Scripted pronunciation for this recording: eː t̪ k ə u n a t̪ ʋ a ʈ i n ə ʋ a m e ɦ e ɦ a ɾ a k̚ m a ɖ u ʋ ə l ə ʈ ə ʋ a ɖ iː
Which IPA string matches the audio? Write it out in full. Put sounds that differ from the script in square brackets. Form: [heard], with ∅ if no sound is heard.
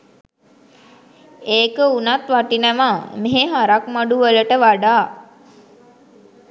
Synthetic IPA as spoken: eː [∅] k ə u n a t̪ ʋ a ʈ i n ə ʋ a m e ɦ e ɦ a ɾ a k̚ m a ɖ u ʋ ə l ə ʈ ə ʋ a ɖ [aː]